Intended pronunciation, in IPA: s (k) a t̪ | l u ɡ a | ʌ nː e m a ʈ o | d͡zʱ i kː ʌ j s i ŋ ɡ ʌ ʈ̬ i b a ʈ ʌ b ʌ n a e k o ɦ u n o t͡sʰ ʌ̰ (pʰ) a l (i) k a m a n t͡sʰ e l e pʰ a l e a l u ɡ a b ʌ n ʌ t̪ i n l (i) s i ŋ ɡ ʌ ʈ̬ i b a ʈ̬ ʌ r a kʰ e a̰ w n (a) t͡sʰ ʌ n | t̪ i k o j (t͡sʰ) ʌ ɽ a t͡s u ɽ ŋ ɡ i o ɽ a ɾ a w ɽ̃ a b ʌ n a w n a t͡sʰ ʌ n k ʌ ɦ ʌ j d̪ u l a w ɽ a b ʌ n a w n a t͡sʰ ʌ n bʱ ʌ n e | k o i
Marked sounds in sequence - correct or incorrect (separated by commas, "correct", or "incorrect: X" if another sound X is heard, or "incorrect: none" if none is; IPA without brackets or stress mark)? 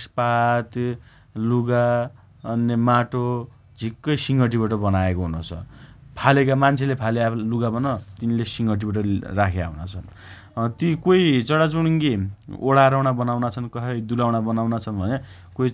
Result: incorrect: p, correct, incorrect: e, incorrect: e, correct, incorrect: t͡s